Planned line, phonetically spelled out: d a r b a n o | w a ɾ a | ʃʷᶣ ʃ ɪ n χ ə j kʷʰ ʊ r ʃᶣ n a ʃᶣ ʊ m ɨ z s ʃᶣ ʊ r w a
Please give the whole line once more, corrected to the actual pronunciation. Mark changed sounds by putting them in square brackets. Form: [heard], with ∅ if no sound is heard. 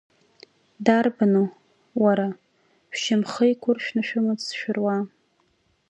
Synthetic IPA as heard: d a r b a n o | w a ɾ a | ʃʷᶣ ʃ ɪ [m] χ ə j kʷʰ ʊ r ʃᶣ n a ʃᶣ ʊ m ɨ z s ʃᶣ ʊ r w a